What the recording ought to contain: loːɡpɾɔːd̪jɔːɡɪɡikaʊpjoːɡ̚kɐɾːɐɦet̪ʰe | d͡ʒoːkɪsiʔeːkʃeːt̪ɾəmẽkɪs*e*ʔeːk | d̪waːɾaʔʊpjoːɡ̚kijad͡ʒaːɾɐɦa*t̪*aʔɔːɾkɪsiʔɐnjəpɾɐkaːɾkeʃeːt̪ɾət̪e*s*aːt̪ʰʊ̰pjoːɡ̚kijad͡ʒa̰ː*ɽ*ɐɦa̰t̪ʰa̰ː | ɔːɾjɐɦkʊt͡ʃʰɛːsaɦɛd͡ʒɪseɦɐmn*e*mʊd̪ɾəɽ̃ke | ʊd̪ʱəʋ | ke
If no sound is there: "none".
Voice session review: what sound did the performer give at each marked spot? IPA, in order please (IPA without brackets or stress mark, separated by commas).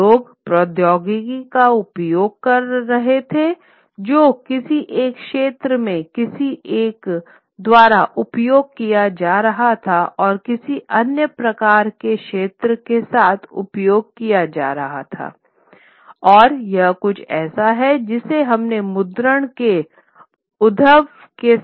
i, t̪ʰ, s, ɾ, e